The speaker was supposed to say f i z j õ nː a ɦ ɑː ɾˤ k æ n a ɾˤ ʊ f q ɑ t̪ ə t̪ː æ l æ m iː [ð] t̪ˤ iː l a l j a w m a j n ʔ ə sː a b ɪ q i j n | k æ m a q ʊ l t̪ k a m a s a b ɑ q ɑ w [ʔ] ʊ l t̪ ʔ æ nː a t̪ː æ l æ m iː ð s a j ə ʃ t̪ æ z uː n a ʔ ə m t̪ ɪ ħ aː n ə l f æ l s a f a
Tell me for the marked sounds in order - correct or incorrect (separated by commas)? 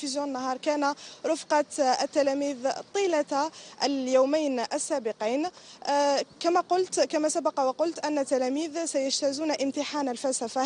correct, incorrect